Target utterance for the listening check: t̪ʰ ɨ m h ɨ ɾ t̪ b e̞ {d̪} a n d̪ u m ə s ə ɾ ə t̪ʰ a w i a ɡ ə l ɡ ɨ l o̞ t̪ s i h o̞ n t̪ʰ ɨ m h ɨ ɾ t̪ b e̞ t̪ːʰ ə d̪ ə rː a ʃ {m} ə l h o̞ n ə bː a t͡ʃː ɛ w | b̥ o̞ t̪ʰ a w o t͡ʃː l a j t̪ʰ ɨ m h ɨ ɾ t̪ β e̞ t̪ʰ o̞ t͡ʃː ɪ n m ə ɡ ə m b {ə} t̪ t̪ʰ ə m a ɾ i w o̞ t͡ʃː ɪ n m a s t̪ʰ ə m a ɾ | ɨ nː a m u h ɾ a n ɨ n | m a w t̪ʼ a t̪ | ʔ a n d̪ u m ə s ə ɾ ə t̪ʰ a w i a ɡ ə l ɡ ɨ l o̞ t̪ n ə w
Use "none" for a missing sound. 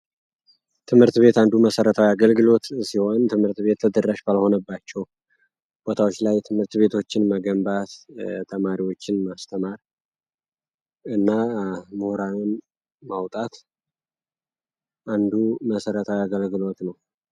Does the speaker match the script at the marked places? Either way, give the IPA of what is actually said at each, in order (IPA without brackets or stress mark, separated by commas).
t̪, b, a